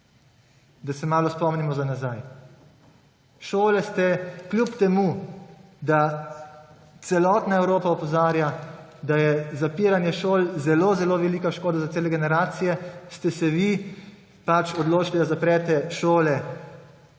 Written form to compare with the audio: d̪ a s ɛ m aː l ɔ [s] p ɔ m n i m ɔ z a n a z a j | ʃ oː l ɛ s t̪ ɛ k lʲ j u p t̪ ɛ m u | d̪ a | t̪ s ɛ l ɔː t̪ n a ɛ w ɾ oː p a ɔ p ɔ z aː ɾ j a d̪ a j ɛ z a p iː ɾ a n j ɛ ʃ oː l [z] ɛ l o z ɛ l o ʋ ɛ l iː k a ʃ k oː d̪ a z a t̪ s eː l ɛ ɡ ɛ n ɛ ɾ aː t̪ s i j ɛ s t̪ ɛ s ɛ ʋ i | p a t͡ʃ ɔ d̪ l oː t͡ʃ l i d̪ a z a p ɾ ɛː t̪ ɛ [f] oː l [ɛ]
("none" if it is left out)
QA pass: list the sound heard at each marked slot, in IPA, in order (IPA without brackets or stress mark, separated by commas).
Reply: s, z, ʃ, ɛ